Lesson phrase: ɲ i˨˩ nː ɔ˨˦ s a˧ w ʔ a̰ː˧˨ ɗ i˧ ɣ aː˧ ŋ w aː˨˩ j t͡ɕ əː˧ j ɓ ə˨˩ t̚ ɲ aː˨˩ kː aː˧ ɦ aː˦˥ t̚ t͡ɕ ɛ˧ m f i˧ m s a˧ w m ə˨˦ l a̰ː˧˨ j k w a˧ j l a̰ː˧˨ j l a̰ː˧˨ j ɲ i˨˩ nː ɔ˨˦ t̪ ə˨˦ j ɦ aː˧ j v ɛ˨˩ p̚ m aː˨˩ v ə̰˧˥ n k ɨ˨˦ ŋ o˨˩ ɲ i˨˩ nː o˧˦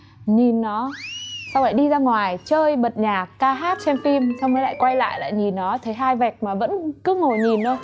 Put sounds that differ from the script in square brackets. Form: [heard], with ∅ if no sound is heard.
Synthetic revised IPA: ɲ i˨˩ nː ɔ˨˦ s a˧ w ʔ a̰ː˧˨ ɗ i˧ [z] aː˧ ŋ w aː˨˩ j t͡ɕ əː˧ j ɓ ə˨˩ t̚ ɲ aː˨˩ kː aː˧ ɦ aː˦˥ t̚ t͡ɕ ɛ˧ m f i˧ m s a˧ w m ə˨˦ l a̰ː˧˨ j k w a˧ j l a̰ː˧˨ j l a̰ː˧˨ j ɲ i˨˩ nː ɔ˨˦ [t̪ʰ] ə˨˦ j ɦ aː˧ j v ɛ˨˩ [k̚] m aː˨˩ v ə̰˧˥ n k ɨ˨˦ ŋ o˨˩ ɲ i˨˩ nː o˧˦